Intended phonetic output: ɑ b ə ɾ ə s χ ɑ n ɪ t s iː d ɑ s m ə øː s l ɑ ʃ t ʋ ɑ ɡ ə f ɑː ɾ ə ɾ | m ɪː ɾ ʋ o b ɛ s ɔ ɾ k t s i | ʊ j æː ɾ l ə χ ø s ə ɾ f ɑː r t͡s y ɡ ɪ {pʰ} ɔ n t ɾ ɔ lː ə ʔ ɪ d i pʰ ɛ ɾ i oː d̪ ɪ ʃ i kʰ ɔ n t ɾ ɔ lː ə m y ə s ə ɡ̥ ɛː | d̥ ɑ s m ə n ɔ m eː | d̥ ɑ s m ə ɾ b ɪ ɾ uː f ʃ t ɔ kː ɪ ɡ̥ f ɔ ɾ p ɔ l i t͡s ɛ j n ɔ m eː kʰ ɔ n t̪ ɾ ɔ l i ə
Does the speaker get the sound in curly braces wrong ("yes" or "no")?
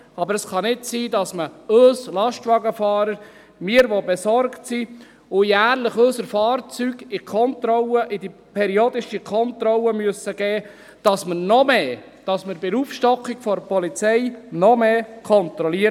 yes